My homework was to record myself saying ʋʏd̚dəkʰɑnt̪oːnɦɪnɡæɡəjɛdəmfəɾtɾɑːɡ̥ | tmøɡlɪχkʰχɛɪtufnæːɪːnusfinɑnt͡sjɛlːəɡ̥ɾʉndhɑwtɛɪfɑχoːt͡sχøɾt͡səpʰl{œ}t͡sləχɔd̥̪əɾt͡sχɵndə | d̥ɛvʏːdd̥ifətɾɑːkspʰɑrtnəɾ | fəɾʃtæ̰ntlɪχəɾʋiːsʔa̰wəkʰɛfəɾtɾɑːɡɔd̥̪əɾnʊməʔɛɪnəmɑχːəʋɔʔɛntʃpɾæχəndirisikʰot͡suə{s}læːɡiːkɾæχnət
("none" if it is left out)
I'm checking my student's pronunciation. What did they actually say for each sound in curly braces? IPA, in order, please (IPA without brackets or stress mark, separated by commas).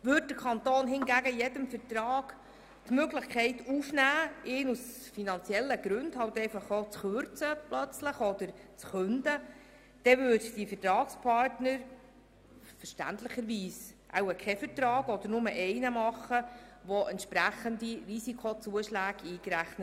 œ, ʃ